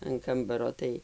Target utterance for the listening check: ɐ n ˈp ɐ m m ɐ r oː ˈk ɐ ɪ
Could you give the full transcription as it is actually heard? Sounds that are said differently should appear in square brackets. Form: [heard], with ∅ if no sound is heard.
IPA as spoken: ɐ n [ˈk] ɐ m [b] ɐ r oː [ˈt] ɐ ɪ